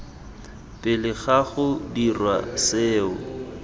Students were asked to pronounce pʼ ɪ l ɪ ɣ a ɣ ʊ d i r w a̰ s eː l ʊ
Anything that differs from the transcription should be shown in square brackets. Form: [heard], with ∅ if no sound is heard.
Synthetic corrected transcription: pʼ ɪ l ɪ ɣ a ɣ ʊ d i r w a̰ s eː [∅] ʊ